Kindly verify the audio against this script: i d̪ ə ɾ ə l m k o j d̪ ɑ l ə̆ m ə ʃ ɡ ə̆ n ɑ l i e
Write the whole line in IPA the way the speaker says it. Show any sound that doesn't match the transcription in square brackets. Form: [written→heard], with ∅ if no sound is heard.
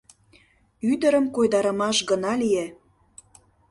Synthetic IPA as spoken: [i→y] d̪ ə ɾ ə [l→∅] m k o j d̪ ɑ [l→ɾ] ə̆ m [ə→ɑ] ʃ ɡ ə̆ n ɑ l i e